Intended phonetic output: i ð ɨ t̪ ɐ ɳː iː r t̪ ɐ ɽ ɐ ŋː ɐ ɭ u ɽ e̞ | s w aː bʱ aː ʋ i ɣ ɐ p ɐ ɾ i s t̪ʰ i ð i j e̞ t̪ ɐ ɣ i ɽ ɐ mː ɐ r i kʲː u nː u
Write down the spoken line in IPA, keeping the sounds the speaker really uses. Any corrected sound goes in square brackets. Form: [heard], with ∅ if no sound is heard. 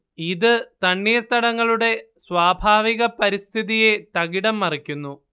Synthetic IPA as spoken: i ð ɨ t̪ ɐ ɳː iː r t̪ ɐ ɽ ɐ ŋː ɐ ɭ u ɽ e̞ | s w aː bʱ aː ʋ i ɣ ɐ p ɐ ɾ i s t̪ʰ i ð i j e̞ t̪ ɐ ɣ i ɽ ɐ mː ɐ r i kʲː u nː u